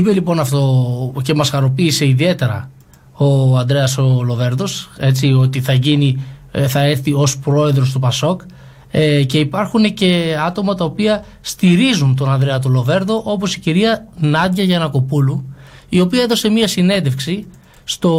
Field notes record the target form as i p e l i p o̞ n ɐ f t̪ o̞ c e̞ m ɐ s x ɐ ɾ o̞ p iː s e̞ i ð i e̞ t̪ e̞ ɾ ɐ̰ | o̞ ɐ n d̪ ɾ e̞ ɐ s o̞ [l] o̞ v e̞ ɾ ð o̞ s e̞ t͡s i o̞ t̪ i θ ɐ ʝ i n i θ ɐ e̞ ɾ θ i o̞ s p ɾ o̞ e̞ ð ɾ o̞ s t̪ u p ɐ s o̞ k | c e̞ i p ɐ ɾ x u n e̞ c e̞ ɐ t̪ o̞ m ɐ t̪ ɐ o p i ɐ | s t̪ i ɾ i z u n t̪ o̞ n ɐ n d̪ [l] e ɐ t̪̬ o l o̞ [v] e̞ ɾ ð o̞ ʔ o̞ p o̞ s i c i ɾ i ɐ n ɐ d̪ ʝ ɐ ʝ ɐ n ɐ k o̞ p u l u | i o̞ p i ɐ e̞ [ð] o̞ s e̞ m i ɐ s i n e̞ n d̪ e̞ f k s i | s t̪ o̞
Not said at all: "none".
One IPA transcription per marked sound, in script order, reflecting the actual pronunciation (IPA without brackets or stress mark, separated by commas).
l, ɾ, v, ð